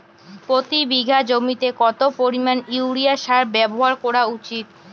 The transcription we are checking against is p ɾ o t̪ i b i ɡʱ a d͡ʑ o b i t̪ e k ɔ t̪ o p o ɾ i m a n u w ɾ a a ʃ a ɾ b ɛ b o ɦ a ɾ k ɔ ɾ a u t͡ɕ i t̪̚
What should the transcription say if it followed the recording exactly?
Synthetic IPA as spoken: p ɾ o t̪ i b i ɡʱ a d͡ʑ o m i t̪ e k ɔ t̪ o p o ɾ i m a n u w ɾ i a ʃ a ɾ b ɛ b o ɦ a ɾ k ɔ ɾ a u t͡ɕ i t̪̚